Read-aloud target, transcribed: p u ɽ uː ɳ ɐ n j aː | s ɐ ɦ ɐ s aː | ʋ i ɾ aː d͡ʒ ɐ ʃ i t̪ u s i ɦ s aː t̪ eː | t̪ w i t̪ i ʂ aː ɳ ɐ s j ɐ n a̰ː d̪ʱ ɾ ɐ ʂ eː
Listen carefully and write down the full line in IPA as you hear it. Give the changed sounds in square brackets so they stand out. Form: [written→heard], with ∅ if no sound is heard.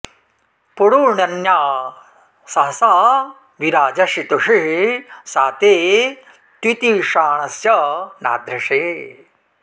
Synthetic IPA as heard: p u ɽ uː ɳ ɐ n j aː | s ɐ ɦ ɐ s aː | ʋ i ɾ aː d͡ʒ ɐ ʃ i t̪ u [s→ʂ] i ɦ s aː t̪ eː | t̪ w i t̪ i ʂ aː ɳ ɐ s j ɐ n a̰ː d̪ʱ ɾ ɐ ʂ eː